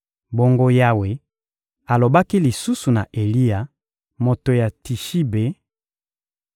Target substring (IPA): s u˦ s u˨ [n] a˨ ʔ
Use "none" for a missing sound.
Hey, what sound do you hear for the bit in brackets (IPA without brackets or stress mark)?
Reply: n